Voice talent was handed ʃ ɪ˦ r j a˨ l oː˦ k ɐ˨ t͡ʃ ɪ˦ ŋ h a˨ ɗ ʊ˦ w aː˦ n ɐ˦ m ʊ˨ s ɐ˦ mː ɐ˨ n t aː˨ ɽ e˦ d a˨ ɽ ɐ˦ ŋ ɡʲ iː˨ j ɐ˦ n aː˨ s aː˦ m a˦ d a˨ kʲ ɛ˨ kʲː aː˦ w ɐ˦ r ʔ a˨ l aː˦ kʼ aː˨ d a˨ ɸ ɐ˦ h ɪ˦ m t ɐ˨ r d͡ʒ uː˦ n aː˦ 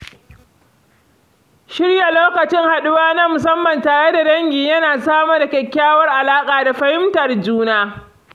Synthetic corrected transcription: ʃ ɪ˦ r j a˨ l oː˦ k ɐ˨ t͡ʃ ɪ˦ ŋ h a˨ ɗ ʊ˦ w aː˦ n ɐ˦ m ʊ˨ s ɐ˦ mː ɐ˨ n t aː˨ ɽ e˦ d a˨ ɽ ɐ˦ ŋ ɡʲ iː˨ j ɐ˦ n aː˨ s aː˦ m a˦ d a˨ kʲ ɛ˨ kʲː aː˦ w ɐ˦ r ʔ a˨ l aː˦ kʼ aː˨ d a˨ ɸ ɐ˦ h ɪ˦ m t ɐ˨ r d͡ʒ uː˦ n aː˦